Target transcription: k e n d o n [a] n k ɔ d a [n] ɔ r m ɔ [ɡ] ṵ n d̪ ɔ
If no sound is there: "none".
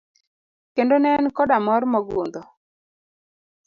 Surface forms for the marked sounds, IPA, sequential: ɛ, m, ɡ

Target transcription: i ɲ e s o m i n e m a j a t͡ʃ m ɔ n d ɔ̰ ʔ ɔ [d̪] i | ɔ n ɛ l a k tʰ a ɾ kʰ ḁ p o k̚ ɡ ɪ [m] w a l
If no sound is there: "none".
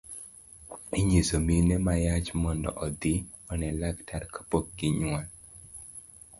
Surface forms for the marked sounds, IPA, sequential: d̪, ɲ

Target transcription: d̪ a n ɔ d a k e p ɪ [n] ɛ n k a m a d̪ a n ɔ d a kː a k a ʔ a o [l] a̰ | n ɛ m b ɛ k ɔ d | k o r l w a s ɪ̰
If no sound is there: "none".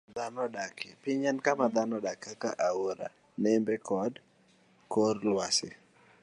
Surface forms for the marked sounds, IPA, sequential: ɲ, ɾ

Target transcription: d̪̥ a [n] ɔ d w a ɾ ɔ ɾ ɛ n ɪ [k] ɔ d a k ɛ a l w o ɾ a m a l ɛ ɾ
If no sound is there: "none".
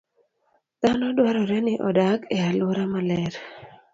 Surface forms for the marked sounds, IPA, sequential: n, ʔ

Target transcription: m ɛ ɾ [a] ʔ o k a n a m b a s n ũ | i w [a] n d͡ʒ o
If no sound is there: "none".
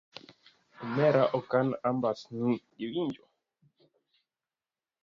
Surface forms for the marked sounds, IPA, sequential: a, i

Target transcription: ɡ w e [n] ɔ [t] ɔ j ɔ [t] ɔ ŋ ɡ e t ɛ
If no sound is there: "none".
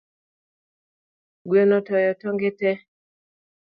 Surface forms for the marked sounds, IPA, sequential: n, t, t

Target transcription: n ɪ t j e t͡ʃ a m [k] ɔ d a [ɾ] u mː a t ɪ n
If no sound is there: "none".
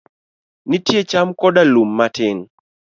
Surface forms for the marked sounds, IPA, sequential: k, l

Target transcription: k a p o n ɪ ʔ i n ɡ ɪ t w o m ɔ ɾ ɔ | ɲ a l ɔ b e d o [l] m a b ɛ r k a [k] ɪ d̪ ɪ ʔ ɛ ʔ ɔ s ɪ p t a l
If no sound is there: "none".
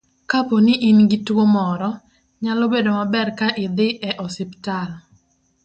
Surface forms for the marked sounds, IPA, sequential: none, ʔ

